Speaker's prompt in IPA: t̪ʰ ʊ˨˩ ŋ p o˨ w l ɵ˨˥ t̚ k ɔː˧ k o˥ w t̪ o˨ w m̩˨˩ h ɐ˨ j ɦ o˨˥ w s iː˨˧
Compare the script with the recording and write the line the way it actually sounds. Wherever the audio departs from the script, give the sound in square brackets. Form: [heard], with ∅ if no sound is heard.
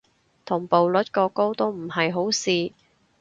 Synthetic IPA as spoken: t̪ʰ ʊ˨˩ ŋ p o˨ w l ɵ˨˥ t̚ k ɔː˧ k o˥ w t̪ [o˥] w m̩˨˩ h ɐ˨ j ɦ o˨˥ w s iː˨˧

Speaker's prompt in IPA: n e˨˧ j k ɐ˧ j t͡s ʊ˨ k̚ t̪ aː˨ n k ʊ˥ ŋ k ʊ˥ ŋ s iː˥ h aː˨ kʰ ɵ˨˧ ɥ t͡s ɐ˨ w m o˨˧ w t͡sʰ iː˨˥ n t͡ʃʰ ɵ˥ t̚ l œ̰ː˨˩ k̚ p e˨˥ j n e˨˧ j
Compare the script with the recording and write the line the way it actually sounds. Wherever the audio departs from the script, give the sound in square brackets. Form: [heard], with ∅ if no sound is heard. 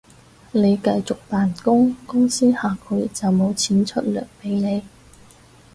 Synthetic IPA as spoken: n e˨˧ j k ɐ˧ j t͡s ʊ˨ k̚ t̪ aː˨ n k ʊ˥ ŋ k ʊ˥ ŋ s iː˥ h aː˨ kʰ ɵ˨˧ ɥ t͡s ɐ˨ w m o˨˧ w t͡sʰ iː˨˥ n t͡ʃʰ ɵ˥ t̚ l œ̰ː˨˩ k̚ p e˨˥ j n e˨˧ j

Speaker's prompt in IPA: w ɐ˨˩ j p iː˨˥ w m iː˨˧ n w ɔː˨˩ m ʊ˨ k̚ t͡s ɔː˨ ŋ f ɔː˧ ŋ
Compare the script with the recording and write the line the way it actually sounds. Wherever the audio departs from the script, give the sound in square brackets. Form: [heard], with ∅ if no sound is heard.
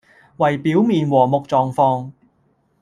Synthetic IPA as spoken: w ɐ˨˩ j p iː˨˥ w m iː˨˧ n w ɔː˨˩ m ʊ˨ k̚ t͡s ɔː˨ ŋ f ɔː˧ ŋ

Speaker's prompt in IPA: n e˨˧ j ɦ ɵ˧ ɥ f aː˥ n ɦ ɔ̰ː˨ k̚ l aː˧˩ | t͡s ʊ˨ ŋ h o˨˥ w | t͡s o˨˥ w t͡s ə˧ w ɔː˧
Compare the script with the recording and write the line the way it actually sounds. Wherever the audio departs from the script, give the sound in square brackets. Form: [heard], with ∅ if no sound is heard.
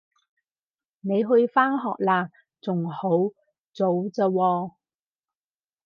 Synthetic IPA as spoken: n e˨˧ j ɦ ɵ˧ ɥ f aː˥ n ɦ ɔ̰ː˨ k̚ l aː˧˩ | t͡s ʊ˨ ŋ h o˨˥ w | t͡s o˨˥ w t͡s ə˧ w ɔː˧

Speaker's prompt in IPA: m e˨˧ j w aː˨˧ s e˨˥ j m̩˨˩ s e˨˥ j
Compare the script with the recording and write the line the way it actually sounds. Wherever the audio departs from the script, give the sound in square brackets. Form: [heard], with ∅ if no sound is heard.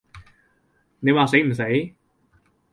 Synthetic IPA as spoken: [n] e˨˧ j w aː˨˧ s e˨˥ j m̩˨˩ s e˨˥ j

